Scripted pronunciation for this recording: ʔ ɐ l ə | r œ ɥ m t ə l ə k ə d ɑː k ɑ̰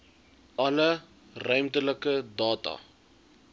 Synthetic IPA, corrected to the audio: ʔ ɐ l ə | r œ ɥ m t ə l ə k ə d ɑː t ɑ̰